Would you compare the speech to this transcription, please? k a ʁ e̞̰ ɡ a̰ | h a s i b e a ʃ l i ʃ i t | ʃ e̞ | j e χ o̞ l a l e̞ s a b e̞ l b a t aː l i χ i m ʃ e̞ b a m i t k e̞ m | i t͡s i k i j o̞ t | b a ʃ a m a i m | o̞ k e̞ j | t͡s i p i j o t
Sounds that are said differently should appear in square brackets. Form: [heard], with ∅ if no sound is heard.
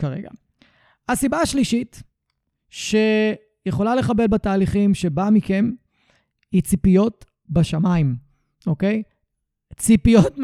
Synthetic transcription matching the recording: k a ʁ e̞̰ ɡ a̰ | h a s i b [a] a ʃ l i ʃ i t | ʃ e̞ | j e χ o̞ l a l e̞ [χ] a b e̞ l b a t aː l i χ i m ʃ e̞ b a m i [∅] k e̞ m | i t͡s i [p] i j o̞ t | b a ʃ a m a i m | o̞ k e̞ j | t͡s i p i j o t